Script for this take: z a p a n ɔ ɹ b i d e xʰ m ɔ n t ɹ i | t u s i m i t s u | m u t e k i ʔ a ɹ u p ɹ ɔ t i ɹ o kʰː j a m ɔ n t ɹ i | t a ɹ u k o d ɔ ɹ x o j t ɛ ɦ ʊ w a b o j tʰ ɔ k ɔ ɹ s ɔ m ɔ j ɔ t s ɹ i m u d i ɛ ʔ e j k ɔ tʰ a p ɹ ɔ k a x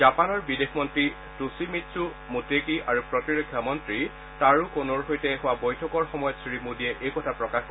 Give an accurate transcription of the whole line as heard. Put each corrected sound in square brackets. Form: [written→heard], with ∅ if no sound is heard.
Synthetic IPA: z a p a n ɔ ɹ b i d e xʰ m ɔ n t ɹ i | t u s i m i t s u | m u t e k i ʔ a ɹ u p ɹ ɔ t i ɹ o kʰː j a m ɔ n t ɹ i | t a ɹ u k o [d→n] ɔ ɹ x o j t ɛ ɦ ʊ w a b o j tʰ ɔ k ɔ ɹ [s→x] ɔ m ɔ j ɔ t s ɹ i m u d i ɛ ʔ e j k ɔ tʰ a p ɹ ɔ k a x